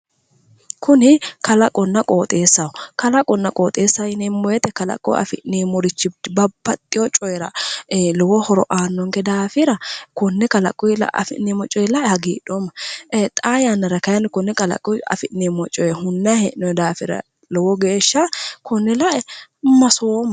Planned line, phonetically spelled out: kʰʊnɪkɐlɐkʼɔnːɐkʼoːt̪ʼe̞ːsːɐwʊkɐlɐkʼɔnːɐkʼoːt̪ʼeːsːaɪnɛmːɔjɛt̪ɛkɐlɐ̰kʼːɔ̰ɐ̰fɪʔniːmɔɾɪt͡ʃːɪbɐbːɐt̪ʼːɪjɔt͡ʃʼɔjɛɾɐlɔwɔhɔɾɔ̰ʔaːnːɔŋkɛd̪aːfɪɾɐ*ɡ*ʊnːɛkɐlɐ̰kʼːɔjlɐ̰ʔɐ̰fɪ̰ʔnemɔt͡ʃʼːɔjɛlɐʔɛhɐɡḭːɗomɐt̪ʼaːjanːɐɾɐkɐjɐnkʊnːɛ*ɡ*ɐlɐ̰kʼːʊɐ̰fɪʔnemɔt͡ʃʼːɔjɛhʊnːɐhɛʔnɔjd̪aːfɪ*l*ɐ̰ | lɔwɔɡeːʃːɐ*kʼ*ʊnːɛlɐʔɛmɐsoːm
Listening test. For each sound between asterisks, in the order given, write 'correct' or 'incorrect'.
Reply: incorrect, incorrect, incorrect, incorrect

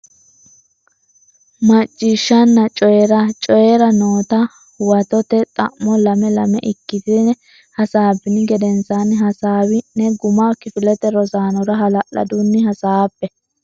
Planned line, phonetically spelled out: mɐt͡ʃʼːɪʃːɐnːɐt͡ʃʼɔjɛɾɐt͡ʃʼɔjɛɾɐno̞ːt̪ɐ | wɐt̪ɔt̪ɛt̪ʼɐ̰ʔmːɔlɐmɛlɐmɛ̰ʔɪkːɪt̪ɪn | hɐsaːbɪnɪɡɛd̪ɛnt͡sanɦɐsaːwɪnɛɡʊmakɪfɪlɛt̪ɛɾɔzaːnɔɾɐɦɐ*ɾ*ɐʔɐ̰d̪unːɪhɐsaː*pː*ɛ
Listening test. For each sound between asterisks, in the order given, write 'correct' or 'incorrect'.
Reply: incorrect, correct

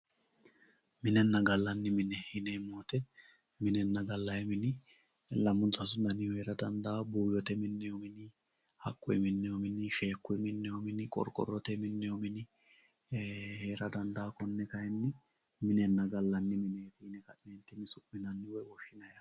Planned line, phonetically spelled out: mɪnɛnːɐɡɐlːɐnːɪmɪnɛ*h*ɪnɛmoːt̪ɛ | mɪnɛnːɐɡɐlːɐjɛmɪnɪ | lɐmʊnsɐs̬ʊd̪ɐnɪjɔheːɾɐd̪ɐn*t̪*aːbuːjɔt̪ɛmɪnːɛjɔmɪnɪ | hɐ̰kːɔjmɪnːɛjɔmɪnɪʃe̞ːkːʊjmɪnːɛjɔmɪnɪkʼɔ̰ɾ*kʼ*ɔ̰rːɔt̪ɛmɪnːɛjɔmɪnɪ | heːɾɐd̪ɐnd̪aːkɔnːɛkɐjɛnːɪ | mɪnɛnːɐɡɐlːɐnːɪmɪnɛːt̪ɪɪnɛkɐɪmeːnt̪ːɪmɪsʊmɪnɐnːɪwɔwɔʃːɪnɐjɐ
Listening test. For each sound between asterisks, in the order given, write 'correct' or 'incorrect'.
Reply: correct, incorrect, correct

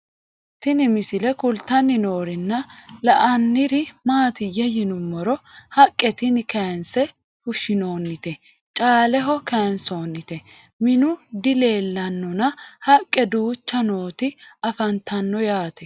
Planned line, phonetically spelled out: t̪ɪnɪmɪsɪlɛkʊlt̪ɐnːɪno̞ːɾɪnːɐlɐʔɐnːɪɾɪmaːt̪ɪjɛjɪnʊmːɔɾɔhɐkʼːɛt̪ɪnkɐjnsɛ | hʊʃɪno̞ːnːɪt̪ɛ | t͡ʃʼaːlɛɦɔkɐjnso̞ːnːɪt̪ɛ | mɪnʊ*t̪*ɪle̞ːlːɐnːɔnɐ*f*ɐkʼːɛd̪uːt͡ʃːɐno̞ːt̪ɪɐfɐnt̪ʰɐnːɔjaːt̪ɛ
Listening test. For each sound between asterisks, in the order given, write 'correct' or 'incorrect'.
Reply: incorrect, incorrect

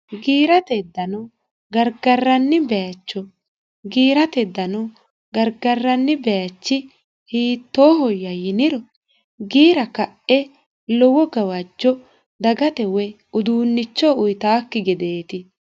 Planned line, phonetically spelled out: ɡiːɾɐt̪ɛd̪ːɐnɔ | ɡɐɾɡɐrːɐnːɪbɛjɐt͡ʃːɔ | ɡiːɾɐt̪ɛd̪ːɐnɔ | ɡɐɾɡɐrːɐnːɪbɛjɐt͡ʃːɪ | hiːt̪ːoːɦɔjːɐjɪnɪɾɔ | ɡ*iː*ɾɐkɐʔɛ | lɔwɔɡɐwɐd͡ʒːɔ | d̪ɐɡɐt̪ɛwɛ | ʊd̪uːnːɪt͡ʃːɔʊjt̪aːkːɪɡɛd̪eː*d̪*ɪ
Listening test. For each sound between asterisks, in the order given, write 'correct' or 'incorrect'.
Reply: correct, incorrect

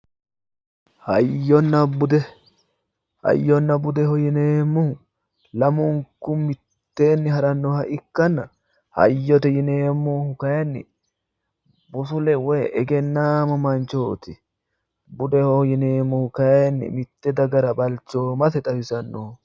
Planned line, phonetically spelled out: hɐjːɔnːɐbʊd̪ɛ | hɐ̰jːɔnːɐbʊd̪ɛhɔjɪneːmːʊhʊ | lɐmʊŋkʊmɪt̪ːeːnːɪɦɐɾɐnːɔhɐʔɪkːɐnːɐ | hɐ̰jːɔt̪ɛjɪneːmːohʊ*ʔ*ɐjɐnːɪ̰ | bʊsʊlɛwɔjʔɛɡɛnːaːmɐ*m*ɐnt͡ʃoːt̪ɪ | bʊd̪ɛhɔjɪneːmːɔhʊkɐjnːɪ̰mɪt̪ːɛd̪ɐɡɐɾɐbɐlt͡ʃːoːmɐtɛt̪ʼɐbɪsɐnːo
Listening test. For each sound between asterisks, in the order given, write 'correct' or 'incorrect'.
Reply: incorrect, correct

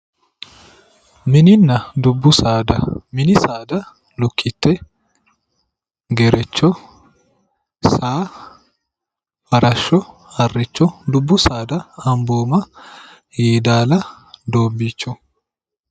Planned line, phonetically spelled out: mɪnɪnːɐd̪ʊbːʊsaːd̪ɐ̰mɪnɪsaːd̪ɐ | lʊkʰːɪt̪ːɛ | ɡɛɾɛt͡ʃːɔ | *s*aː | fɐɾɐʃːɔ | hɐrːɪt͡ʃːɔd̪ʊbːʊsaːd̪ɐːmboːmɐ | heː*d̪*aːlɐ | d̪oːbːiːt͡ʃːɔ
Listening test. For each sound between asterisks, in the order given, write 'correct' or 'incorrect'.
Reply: correct, correct

